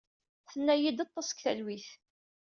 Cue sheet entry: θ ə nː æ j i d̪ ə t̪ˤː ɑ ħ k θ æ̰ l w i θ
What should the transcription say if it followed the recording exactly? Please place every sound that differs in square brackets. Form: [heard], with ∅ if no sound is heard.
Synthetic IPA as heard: θ ə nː æ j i d̪ [ɑ] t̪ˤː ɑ [s] k θ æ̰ l w i θ